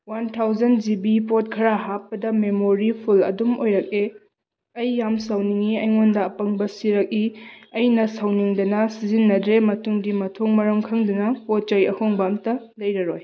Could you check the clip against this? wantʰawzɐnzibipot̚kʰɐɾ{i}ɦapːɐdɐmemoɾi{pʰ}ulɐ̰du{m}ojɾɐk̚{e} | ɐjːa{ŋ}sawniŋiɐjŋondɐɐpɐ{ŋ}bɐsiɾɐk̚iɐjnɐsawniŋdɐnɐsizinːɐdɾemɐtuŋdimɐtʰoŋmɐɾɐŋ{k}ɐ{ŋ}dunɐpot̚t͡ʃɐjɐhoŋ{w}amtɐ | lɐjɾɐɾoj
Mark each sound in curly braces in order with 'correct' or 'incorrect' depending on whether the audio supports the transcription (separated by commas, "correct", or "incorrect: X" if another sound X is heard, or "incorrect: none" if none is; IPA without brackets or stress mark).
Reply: incorrect: a, correct, correct, correct, incorrect: m, correct, incorrect: kʰ, correct, incorrect: b